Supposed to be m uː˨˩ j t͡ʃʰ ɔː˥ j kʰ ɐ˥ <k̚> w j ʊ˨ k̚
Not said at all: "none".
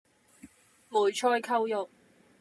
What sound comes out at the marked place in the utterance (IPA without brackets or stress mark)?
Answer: none